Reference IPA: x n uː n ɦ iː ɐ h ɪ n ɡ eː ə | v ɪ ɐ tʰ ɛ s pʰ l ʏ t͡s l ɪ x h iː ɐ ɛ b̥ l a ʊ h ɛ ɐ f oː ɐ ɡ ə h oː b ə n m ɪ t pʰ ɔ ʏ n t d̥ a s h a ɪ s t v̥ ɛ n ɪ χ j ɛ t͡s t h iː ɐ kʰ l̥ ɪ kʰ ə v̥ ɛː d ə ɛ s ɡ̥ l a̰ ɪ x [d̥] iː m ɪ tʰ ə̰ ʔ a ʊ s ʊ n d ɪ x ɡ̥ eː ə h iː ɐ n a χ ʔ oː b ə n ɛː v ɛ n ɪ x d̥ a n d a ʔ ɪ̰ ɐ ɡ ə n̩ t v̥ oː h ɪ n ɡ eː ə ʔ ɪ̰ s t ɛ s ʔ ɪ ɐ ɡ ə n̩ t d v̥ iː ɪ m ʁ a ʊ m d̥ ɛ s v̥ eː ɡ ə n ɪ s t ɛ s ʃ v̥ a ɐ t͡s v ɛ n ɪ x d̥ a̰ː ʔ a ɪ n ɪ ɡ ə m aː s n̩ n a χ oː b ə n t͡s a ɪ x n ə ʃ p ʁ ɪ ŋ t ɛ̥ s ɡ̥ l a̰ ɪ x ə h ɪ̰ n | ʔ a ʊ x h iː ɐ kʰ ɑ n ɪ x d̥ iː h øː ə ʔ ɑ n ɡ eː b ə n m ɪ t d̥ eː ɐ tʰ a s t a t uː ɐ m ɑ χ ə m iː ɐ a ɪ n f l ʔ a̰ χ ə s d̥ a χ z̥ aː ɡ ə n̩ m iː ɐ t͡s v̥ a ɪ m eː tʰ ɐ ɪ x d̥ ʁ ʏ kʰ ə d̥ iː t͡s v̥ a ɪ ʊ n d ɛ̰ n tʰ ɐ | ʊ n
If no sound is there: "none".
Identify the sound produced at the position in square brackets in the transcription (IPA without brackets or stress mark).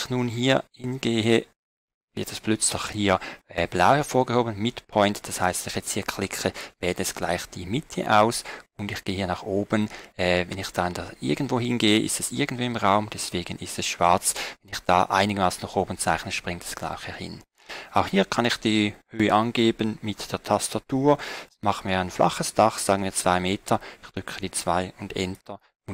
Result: d̥